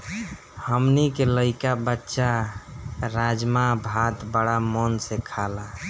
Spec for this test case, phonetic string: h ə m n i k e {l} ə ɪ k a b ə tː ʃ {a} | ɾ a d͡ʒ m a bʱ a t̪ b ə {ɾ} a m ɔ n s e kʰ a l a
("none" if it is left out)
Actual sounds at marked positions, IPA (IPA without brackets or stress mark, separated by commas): l, a, ɽ